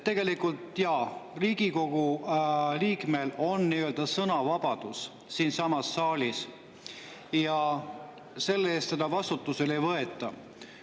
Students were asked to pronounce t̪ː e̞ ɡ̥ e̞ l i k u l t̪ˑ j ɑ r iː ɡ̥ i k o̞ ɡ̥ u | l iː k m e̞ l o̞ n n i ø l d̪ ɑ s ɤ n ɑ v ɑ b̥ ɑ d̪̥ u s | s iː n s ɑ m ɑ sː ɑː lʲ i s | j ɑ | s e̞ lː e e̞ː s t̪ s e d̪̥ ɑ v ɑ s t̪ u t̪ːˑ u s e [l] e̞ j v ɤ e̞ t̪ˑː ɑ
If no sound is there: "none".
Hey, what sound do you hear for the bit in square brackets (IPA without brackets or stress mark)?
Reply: l